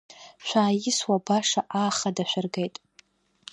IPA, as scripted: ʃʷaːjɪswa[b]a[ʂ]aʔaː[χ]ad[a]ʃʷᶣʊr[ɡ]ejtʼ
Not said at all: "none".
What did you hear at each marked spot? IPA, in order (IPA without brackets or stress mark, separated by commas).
b, ʂ, χ, a, ɡ